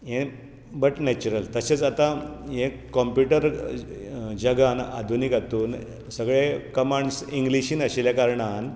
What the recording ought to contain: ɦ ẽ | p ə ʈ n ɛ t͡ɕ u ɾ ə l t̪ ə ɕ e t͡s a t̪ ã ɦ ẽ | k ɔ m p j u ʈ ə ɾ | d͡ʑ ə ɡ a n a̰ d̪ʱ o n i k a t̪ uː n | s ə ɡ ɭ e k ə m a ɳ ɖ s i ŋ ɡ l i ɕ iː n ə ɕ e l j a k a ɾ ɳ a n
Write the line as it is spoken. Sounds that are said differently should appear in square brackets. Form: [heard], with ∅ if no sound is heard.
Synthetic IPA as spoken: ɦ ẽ | [b] ə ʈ n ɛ t͡ɕ u ɾ ə l t̪ ə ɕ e t͡s a t̪ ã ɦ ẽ | k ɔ m p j u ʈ ə ɾ | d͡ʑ ə ɡ a n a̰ d̪ʱ [u] n i k a t̪ uː n | s ə ɡ ɭ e k ə m a ɳ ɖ s i ŋ ɡ l i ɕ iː n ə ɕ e l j a k a ɾ ɳ a n